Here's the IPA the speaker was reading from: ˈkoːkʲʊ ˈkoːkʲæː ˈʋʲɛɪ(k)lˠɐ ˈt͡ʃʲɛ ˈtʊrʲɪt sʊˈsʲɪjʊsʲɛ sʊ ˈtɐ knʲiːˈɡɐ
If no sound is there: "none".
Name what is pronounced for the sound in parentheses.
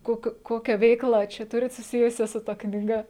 k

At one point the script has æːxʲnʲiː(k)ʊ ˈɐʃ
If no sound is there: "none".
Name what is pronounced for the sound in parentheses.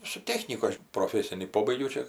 k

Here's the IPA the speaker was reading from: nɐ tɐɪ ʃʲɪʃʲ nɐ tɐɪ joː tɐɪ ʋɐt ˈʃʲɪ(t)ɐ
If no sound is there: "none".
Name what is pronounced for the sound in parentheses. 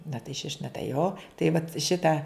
t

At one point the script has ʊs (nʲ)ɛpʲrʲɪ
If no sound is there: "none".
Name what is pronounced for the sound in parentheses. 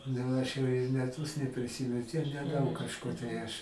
nʲ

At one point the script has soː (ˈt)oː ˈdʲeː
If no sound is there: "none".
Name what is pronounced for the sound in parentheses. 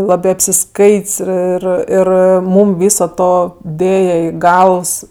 t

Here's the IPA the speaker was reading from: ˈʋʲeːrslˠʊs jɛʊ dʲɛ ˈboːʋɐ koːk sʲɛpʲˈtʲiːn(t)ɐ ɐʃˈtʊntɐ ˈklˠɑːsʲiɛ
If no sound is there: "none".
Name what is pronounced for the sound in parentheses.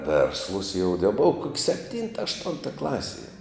t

